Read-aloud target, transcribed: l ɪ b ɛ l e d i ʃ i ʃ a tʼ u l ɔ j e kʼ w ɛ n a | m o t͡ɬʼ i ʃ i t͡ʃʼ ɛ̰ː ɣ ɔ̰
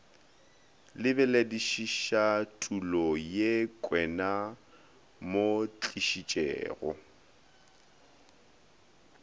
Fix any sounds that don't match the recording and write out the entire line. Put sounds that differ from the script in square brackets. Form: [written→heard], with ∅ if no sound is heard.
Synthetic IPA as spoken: l ɪ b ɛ l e d i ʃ i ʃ a tʼ u l ɔ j e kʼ w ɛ n a | m o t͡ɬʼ i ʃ i t͡ʃʼ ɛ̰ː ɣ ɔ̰